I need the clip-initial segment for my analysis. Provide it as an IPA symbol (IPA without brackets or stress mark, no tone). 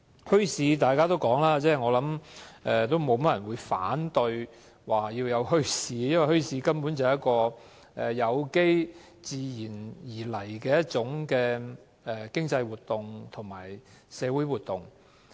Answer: h